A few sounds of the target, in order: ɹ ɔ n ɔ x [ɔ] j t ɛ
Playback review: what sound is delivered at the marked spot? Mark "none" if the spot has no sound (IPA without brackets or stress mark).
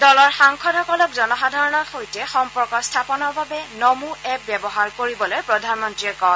o